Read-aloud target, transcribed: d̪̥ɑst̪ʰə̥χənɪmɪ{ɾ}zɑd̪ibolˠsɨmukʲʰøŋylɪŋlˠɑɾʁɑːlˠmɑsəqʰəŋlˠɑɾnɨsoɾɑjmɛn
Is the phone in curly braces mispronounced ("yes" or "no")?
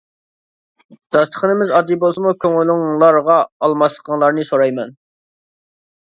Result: yes